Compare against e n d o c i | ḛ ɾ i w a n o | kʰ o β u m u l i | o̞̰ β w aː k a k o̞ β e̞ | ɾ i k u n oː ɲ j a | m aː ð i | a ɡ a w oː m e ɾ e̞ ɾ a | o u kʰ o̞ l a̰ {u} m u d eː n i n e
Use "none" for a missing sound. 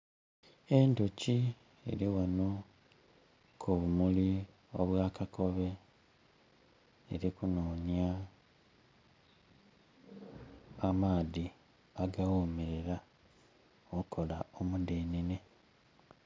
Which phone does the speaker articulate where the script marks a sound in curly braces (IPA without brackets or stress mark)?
o